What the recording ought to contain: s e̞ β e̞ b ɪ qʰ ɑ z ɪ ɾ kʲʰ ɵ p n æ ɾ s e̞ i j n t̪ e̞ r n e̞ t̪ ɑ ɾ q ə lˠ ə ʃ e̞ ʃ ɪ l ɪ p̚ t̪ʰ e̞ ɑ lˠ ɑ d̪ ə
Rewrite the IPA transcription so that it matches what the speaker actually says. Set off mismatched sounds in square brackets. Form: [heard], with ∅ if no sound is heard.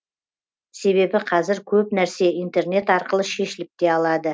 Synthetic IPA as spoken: s e̞ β e̞ b ɪ qʰ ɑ z ɪ ɾ kʲʰ ɵ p n æ ɾ s e̞ i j n t̪ e̞ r n e̞ t̪ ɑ ɾ q ə lˠ ə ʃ e̞ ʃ ɪ l ɪ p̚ [t̪] e̞ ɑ lˠ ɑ d̪ ə

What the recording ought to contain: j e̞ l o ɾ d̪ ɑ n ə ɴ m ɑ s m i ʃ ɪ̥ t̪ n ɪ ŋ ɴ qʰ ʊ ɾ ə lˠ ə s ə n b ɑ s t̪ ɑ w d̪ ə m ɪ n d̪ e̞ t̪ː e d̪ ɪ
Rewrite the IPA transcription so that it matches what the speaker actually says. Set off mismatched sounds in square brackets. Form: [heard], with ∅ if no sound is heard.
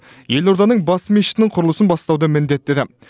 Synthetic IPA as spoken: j e̞ l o ɾ d̪ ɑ n ə ɴ [b] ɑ s m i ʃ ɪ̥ t̪ n ɪ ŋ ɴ qʰ ʊ ɾ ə lˠ ə s ə n b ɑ s t̪ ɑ w d̪ ə m ɪ n d̪ e̞ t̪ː e d̪ ɪ

